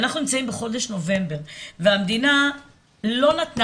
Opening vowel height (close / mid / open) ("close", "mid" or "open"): open